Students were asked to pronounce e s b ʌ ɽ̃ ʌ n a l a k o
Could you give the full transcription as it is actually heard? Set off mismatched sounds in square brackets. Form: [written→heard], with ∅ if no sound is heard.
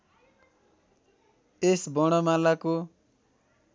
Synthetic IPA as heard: e s b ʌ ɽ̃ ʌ [n→m] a l a k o